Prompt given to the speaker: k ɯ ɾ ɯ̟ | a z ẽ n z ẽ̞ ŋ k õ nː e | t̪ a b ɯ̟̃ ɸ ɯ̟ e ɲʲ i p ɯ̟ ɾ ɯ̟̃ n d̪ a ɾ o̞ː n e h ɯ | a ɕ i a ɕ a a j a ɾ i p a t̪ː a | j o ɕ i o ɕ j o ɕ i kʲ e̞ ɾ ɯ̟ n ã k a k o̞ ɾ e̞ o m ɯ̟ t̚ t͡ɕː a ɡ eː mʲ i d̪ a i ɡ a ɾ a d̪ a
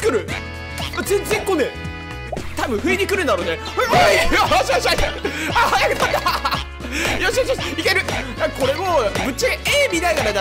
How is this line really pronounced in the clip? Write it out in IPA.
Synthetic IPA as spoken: k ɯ ɾ ɯ̟ | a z ẽ n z ẽ̞ ŋ k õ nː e | t̪ a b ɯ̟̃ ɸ ɯ̟ e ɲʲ i k ɯ̟ ɾ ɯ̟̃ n d̪ a ɾ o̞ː n e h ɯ | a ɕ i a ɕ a a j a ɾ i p a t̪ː a | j o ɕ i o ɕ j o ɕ i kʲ e̞ ɾ ɯ̟ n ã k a k o̞ ɾ e̞ o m ɯ̟ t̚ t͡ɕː a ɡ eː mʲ i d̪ a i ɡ a ɾ a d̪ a

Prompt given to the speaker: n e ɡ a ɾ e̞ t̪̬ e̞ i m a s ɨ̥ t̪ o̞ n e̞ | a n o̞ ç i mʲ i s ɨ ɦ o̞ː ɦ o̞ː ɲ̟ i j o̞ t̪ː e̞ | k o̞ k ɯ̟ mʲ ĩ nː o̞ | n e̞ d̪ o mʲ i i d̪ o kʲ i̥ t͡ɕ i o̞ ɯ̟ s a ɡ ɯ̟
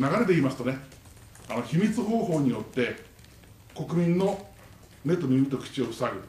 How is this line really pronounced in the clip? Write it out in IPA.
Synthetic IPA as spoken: n a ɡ a ɾ e̞ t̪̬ e̞ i m a s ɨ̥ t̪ o̞ n e̞ | a n o̞ ç i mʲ i t͡s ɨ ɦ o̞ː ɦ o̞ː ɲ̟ i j o̞ t̪ː e̞ | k o̞ k ɯ̟ mʲ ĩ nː o̞ | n e̞ t̪ o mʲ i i t̪ o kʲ i̥ t͡ɕ i o̞ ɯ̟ s a ɡ ɯ̟

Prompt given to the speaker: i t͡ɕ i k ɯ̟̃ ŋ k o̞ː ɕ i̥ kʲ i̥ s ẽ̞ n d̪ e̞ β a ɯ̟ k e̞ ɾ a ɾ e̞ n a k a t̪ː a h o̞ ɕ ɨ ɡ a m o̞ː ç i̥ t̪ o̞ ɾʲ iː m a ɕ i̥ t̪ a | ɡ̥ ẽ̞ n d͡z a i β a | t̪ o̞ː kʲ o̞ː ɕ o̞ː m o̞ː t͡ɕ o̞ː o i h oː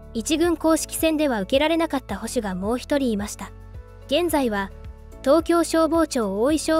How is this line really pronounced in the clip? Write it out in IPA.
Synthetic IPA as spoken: i t͡ɕ i ɡ ɯ̟̃ ŋ k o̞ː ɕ i̥ kʲ i̥ s ẽ̞ n d̪ e̞ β a ɯ̟ k e̞ ɾ a ɾ e̞ n a k a t̪ː a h o̞ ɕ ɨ ɡ a m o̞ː ç i̥ t̪ o̞ ɾʲ iː m a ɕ i̥ t̪ a | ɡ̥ ẽ̞ n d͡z a i β a | t̪ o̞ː kʲ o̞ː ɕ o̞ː b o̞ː t͡ɕ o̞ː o i ɕ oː

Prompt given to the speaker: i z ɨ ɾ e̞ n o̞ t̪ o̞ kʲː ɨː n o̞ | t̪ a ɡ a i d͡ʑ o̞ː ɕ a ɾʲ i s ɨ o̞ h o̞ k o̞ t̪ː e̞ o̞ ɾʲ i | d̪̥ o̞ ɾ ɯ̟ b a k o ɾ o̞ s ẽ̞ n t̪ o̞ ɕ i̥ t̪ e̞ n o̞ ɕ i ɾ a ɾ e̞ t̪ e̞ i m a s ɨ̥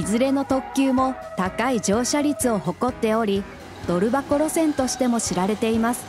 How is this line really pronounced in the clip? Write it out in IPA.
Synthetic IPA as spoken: i z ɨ ɾ e̞ n o̞ t̪ o̞ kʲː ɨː m o̞ | t̪ a k a i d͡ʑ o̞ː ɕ a ɾʲ i t͡s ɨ o̞ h o̞ k o̞ t̪ː e̞ o̞ ɾʲ i | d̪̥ o̞ ɾ ɯ̟ b a k o ɾ o̞ s ẽ̞ n t̪ o̞ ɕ i̥ t̪ e̞ m o̞ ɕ i ɾ a ɾ e̞ t̪ e̞ i m a s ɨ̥

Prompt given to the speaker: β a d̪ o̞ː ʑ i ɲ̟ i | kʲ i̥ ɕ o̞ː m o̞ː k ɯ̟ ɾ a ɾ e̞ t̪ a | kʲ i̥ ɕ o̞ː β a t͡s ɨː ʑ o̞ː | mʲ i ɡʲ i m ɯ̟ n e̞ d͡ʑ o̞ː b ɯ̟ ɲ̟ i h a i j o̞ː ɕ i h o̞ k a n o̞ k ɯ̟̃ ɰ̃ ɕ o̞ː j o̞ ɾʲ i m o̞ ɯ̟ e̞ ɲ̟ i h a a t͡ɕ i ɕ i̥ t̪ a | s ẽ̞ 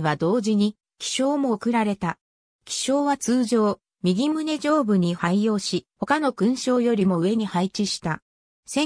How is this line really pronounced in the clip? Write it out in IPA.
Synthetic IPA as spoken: β a d̪ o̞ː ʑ i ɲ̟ i | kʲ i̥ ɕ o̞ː m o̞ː k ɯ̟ ɾ a ɾ e̞ t̪ a | kʲ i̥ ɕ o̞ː β a t͡s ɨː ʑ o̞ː | mʲ i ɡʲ i m ɯ̟ n e̞ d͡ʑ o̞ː b ɯ̟ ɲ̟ i h a i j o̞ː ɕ i h o̞ k a n o̞ k ɯ̟̃ ɰ̃ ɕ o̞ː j o̞ ɾʲ i m o̞ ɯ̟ e̞ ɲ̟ i h a i t͡ɕ i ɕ i̥ t̪ a | s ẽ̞

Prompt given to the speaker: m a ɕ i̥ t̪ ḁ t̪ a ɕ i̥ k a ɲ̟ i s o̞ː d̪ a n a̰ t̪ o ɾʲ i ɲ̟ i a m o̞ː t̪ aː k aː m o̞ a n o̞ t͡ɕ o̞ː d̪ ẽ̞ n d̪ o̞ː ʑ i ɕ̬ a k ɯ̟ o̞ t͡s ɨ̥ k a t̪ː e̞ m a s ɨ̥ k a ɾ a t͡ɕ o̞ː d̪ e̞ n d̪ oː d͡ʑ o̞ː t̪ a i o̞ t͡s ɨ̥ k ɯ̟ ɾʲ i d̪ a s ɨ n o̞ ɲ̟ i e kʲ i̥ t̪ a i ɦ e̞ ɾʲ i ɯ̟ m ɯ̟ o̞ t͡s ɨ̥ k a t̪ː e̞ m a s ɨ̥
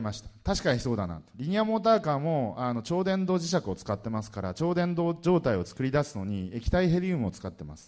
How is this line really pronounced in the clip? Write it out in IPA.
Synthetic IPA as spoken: m a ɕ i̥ t̪ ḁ t̪ a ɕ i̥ k a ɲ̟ i s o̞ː d̪ a n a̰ t̪ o ɾʲ i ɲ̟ i a m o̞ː t̪ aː k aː m o̞ a n o̞ t͡ɕ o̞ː d̪ ẽ̞ n d̪ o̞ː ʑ i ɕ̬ a k ɯ̟ o̞ t͡s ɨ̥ k a t̪ː e̞ m a s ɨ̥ k a ɾ a t͡ɕ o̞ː d̪ ẽ̞ n d̪ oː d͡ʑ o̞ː t̪ a i o̞ t͡s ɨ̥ k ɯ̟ ɾʲ i d̪ a s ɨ n o̞ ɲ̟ i e kʲ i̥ t̪ a i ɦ e̞ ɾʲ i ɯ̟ m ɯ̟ o̞ t͡s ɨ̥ k a t̪ː e̞ m a s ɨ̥

